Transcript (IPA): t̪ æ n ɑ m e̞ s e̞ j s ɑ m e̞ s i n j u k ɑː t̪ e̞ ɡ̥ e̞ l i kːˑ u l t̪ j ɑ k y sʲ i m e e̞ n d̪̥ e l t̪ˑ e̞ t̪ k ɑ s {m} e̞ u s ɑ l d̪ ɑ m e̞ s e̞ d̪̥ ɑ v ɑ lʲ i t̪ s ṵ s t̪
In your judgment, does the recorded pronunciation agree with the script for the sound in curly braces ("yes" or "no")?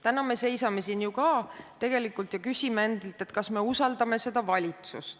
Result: yes